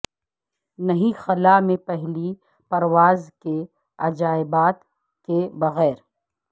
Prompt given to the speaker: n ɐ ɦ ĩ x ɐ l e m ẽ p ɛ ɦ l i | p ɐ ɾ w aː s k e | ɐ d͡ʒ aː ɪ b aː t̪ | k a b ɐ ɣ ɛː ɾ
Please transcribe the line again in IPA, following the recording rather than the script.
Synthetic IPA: n ɐ ɦ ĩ x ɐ l a m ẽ p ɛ ɦ l i | p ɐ ɾ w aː z k e | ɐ d͡ʒ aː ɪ b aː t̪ | k e b ɐ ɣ ɛː ɾ

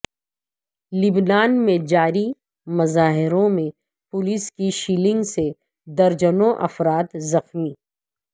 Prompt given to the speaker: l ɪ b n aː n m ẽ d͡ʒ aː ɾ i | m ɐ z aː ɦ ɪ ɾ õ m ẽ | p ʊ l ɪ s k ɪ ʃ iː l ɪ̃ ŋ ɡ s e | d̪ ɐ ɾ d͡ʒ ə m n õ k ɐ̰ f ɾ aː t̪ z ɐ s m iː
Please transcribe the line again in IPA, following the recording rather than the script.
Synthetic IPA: l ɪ b n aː n m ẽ d͡ʒ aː ɾ i | m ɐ z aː ɦ ɪ ɾ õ m ẽ | p ʊ l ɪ s k i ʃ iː l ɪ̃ ŋ ɡ s e | d̪ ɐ ɾ d͡ʒ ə n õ ʔ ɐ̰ f ɾ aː t̪ z ɐ x m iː

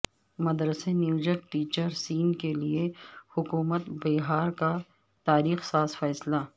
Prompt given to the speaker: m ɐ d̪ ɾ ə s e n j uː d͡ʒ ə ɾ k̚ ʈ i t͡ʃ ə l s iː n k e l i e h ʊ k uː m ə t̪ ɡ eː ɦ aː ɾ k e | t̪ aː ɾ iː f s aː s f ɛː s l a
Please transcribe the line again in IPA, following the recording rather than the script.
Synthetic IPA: m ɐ d̪ ɾ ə s e n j uː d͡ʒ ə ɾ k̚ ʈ iː t͡ʃ ə ɾ s iː n k e l i e h ʊ k uː m ə t̪ b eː ɦ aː ɾ k a | t̪ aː ɾ iː x s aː s f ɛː s l a

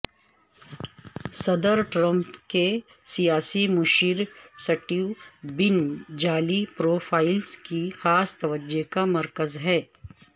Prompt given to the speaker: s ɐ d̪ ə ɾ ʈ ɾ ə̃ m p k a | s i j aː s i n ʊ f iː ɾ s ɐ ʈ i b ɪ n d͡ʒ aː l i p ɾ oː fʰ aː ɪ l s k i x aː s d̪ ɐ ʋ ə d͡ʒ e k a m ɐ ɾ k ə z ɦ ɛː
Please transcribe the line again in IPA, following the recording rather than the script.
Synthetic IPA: s ɐ d̪ ə ɾ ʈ ɾ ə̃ m p k e | s i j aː s i m ʊ ʃ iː ɾ s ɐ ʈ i b ɪ n d͡ʒ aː l i p ɾ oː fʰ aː ɪ l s k i x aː s t̪ ɐ ʋ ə d͡ʒ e k a m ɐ ɾ k ə z ɦ ɛː

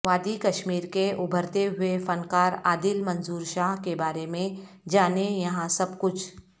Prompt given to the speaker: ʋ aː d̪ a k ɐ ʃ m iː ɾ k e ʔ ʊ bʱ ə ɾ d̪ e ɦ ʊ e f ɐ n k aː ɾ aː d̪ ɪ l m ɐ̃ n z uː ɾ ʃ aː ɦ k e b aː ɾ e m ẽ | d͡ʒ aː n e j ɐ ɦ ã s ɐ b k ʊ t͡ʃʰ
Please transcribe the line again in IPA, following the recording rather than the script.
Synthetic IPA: ʋ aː d̪ i k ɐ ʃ m iː ɾ k e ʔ ʊ bʱ ə ɾ t̪ e ɦ ʊ e f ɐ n k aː ɾ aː d̪ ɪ l m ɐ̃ n z uː ɾ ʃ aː ɦ k e b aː ɾ e m ẽ | d͡ʒ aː n e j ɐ ɦ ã s ɐ b k ʊ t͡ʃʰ

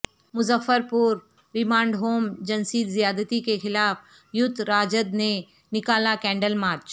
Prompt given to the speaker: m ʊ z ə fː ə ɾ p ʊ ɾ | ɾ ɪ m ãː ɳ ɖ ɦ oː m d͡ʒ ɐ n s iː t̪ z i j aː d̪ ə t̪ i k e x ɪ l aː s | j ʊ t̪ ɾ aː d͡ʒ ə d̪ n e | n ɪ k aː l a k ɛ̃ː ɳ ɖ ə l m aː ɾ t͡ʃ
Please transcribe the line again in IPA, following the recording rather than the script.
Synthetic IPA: m ʊ z ə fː ə ɾ p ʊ ɾ | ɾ ɪ m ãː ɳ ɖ ɦ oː m d͡ʒ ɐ n s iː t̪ z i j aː d̪ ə t̪ i k e x ɪ l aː f | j ʊ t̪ ɾ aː d͡ʒ ə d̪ n e | n ɪ k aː l a k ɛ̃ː ɳ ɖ ə l m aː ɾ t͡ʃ

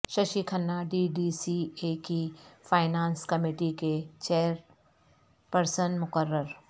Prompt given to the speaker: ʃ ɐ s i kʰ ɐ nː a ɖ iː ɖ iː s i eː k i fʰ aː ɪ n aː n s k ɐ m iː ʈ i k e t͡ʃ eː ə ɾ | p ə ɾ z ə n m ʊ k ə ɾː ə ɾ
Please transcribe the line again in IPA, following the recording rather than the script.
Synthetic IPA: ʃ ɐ ʃ i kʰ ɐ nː a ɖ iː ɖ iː s i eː k i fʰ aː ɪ n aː n s k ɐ m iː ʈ i k e t͡ʃ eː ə ɾ | p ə ɾ s ə n m ʊ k ə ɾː ə ɾ

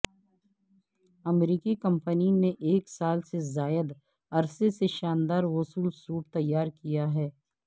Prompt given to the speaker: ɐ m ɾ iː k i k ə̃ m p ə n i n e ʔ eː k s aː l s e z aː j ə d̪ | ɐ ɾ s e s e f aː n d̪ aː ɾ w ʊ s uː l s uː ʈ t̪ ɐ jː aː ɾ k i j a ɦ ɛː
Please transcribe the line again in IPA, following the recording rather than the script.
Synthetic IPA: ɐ m ɾ iː k i k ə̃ m p ə n i n e ʔ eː k s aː l s e z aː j ə d̪ | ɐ ɾ s e s e ʃ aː n d̪ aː ɾ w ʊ s uː l s uː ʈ t̪ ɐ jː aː ɾ k i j a ɦ ɛː

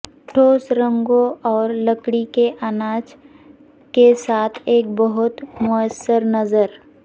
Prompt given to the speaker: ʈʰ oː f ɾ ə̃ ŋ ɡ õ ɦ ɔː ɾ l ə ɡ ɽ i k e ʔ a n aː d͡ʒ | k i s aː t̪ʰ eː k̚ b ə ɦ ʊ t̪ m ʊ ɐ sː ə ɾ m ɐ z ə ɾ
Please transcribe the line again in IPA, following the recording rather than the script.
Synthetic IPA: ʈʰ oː s ɾ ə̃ ŋ ɡ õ ɔː ɾ l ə k ɽ i k e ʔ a n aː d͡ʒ | k e s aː t̪ʰ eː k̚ b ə ɦ ʊ t̪ m ʊ ə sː ə ɾ n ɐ z ə ɾ

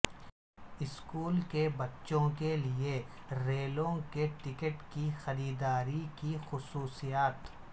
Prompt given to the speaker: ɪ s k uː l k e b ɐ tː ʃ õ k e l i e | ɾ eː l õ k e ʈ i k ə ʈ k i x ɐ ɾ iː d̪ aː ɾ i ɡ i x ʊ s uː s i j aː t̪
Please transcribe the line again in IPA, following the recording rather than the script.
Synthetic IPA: ɪ s k uː l k e b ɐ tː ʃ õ k e l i e | ɾ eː l õ k e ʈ ɪ k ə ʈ k i x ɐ ɾ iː d̪ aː ɾ i k i x ʊ s uː s i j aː t̪

